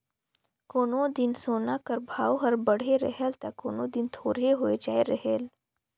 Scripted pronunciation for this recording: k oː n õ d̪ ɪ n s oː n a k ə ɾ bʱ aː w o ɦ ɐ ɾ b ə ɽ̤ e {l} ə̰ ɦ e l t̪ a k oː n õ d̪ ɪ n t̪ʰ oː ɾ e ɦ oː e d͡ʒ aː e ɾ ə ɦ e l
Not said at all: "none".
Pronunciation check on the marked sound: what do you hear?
ɾ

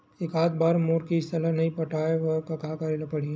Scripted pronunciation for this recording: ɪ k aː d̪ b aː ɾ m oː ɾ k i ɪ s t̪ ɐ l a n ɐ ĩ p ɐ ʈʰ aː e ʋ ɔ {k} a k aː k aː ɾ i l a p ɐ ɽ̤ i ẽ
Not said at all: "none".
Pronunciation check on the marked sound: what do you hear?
k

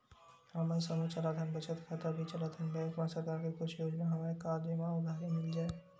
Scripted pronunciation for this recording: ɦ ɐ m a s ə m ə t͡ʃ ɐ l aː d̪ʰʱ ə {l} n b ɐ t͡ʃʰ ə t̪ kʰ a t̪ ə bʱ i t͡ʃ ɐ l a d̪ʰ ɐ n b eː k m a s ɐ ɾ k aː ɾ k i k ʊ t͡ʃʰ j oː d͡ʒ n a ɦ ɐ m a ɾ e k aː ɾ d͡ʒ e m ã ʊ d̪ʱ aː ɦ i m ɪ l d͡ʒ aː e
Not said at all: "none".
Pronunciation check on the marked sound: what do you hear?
none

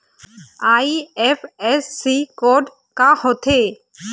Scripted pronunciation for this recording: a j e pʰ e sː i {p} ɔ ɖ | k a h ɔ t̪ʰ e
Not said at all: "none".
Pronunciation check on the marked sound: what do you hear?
k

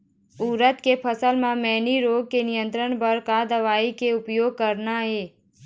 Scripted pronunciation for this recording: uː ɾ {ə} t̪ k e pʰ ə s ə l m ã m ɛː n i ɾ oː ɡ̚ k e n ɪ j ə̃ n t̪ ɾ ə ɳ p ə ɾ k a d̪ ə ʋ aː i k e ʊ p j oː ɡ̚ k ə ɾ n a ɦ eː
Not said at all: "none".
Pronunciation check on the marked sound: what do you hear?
ə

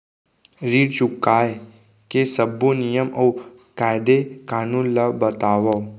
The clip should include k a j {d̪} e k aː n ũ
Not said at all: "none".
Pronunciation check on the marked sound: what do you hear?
d̪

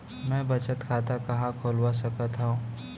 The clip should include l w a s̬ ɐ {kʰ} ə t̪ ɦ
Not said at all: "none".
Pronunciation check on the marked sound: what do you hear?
k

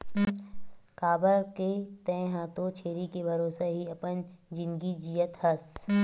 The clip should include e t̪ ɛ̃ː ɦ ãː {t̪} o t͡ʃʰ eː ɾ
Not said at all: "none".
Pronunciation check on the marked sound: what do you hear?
t̪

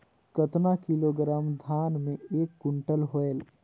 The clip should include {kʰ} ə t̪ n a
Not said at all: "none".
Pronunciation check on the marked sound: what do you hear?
k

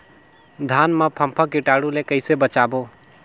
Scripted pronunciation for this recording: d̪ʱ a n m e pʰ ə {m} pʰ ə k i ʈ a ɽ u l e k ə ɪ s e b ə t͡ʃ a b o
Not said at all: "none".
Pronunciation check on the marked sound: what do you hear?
m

